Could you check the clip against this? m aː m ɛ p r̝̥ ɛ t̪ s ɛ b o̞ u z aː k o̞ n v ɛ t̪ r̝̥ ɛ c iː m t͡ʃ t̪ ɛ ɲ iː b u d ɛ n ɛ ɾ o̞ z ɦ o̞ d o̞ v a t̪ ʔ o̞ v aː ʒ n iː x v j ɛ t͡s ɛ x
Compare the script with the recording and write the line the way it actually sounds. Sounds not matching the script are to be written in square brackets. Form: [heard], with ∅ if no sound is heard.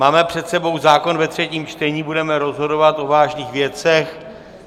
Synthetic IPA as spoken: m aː m ɛ p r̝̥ ɛ t̪ s ɛ b o̞ [w] z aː k o̞ n v ɛ t̪ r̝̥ ɛ c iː m t͡ʃ t̪ ɛ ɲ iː b u d ɛ [m] ɛ ɾ o̞ z ɦ o̞ d o̞ v a t̪ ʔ o̞ v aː ʒ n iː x v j ɛ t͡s ɛ x